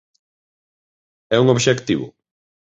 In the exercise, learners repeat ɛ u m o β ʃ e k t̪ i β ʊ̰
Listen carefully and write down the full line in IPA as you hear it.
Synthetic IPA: ɛ u ŋ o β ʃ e k t̪ i β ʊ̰